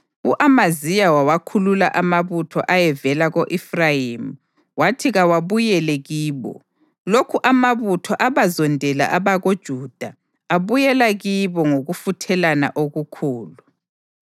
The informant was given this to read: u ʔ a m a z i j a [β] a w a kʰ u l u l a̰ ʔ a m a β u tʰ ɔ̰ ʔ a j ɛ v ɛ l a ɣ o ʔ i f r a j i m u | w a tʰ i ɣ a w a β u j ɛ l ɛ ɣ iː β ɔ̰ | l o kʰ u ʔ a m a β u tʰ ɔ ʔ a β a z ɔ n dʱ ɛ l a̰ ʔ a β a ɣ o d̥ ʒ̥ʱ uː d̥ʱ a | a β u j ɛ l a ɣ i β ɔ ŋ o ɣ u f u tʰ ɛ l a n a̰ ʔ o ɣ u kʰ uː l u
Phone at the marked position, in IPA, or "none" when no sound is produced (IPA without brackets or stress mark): w